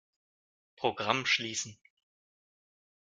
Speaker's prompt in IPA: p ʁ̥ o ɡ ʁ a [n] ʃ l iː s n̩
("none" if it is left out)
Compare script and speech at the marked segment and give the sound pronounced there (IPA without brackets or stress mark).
m